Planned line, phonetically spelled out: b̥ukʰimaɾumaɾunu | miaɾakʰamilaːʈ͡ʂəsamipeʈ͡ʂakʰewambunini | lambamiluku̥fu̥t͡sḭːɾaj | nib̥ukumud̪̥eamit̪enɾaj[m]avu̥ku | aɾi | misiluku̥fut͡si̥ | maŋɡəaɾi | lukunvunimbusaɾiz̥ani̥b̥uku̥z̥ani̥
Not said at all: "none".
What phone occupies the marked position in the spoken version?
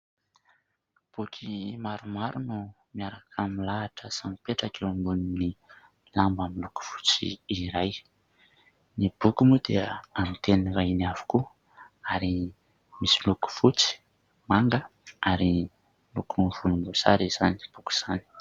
n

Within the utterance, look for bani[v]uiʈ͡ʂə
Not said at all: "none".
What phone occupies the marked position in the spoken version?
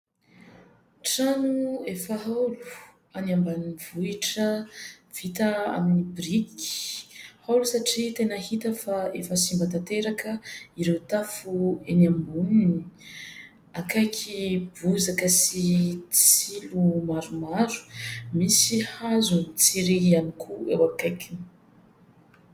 v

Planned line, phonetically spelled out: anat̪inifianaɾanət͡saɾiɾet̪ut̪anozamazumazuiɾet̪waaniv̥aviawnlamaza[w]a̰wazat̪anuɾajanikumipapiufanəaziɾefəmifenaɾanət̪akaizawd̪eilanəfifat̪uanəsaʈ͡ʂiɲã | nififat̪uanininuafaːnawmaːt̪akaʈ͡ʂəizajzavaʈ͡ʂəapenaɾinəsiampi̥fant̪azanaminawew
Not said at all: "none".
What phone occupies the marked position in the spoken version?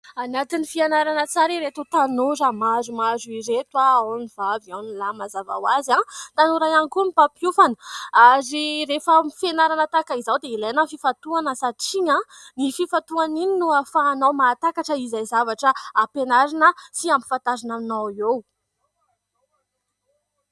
v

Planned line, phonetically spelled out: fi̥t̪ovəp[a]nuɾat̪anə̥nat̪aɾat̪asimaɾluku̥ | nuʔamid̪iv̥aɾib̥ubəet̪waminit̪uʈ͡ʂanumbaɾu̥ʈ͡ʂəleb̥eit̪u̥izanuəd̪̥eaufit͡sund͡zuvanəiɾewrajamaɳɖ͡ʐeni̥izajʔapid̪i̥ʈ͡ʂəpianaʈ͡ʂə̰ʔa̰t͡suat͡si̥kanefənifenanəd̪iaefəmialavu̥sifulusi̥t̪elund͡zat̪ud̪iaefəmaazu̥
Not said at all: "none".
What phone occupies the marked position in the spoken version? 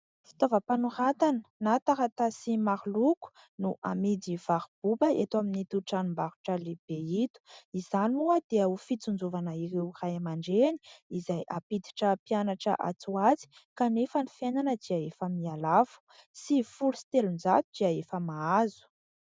a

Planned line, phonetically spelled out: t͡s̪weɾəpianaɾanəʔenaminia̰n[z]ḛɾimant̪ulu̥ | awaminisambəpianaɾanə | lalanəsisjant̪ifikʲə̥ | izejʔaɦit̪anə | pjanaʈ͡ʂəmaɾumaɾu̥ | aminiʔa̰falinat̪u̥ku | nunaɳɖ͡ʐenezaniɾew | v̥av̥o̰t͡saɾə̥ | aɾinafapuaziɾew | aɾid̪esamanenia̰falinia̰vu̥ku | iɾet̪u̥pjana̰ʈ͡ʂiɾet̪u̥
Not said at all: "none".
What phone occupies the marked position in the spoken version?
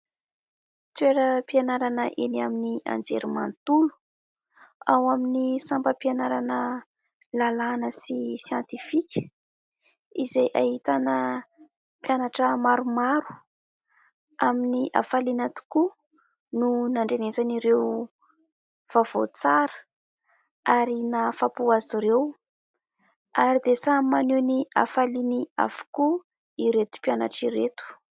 d͡z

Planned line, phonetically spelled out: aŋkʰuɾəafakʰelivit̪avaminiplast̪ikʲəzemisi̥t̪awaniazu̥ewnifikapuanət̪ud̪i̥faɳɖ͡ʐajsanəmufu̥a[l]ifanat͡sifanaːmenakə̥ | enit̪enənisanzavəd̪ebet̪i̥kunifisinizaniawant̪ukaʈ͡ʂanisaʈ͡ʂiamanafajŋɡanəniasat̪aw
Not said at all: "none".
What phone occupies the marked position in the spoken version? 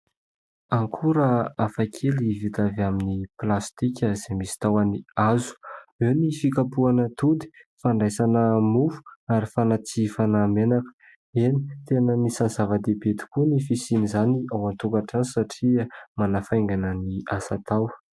ɾ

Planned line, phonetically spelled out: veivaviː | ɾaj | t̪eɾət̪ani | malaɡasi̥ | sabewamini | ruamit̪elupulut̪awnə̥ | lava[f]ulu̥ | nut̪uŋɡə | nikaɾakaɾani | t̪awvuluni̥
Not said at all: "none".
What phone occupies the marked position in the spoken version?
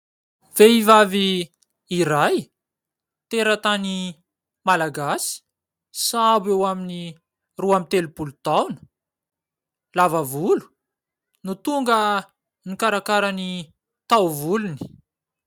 v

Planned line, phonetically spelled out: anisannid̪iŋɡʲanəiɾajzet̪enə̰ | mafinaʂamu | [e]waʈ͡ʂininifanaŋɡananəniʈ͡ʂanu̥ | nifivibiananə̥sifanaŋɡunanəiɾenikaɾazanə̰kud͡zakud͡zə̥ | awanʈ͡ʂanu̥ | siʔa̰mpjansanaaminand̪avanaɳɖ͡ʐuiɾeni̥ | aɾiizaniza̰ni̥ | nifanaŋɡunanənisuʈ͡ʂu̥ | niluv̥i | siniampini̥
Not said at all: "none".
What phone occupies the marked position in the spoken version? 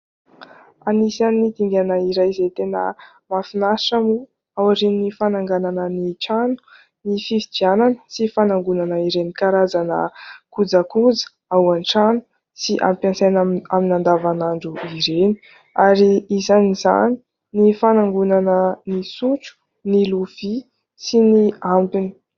a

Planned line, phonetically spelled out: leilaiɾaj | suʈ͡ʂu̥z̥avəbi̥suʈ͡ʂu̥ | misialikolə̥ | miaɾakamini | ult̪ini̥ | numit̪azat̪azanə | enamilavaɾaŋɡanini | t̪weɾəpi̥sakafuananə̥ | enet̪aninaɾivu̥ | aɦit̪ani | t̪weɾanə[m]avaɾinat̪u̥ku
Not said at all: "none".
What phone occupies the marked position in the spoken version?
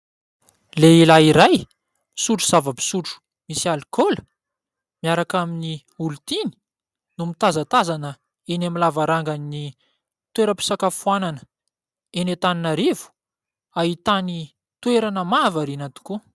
m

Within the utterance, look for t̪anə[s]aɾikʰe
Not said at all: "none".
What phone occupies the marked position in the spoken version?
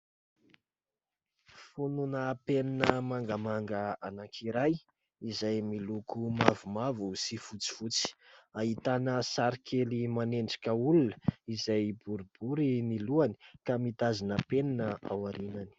s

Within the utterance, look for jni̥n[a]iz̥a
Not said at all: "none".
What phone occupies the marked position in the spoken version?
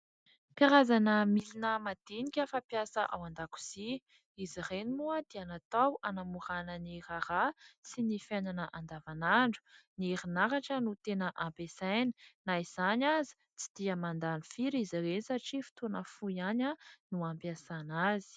a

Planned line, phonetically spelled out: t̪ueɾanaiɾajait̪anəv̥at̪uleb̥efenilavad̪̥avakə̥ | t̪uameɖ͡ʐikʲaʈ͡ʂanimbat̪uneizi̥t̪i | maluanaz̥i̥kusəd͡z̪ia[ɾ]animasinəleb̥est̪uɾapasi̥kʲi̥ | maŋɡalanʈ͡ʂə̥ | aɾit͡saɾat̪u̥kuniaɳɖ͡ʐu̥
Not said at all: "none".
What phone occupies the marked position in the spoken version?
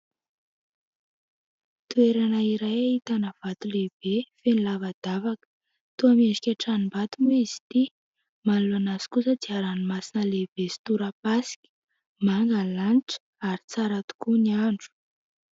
ɾ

